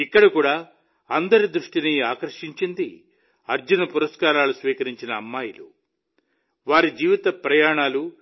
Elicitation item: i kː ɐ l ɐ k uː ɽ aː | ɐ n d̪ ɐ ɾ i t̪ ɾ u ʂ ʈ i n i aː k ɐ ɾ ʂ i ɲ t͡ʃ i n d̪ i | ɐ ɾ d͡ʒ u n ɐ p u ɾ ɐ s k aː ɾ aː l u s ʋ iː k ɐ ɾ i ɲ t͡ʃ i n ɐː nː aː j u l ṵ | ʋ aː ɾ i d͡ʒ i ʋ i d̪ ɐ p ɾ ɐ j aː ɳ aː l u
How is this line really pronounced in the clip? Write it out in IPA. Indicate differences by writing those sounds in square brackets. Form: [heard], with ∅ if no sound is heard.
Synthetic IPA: i kː ɐ [ɽ] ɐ k uː ɽ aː | ɐ n d̪ ɐ ɾ i [d̪] ɾ u ʂ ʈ i n i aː k ɐ ɾ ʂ i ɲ t͡ʃ i n d̪ i | ɐ ɾ d͡ʒ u n ɐ p u ɾ ɐ s k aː ɾ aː l u s ʋ iː k ɐ ɾ i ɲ t͡ʃ i n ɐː [mː] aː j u l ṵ | ʋ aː ɾ i d͡ʒ [iː] ʋ i [t̪] ɐ p ɾ ɐ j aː ɳ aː l u